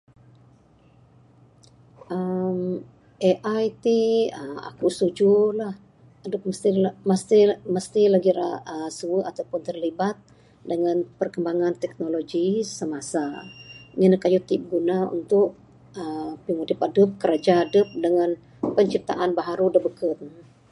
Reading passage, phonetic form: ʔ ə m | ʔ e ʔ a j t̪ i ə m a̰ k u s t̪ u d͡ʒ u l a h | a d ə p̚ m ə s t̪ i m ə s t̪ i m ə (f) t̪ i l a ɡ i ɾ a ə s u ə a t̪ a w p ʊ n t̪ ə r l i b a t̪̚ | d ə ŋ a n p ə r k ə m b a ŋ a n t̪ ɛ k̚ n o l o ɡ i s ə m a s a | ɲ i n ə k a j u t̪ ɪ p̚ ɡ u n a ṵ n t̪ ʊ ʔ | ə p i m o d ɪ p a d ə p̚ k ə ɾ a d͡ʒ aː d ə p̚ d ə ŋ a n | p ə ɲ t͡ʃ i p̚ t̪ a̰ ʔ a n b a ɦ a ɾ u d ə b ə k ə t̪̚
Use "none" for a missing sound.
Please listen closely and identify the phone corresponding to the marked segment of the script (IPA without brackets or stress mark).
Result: s